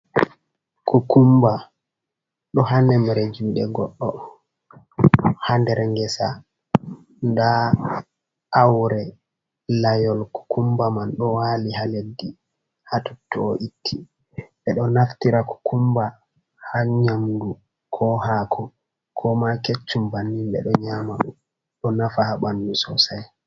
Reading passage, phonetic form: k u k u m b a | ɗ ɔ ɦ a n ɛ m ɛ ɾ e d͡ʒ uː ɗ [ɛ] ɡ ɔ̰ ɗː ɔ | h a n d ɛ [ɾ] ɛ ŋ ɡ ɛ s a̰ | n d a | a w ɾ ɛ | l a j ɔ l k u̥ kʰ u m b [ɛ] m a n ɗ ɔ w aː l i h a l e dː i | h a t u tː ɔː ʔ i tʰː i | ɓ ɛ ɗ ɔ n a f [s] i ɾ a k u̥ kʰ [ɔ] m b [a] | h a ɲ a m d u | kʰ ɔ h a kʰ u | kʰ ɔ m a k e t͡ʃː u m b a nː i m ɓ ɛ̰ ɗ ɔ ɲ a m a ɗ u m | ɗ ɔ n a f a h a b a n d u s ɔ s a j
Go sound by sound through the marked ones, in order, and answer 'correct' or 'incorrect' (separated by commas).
correct, correct, incorrect, incorrect, incorrect, correct